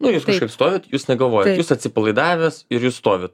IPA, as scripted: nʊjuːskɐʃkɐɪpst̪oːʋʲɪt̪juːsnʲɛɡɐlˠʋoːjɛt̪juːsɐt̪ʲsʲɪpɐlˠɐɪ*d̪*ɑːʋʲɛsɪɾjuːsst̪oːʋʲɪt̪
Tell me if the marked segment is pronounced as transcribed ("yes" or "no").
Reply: yes